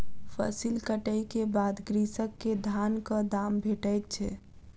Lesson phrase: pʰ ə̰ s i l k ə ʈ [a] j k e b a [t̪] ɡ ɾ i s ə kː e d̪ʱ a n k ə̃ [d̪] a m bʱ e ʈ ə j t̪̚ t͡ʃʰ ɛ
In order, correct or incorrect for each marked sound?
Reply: incorrect, incorrect, correct

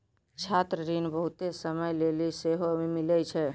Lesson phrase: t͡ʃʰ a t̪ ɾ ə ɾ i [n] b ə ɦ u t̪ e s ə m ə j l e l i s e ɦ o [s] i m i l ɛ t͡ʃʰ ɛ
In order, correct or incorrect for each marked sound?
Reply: correct, incorrect

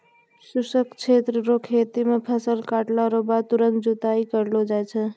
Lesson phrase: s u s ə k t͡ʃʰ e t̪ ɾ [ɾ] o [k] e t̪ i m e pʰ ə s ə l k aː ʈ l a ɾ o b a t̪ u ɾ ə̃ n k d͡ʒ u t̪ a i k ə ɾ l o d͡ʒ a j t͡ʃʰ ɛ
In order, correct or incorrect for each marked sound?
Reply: correct, incorrect

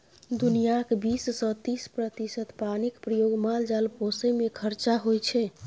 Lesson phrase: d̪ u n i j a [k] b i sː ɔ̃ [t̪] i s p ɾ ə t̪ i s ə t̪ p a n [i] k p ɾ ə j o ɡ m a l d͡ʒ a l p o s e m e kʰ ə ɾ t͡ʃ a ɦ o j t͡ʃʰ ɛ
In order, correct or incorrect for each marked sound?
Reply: correct, correct, correct

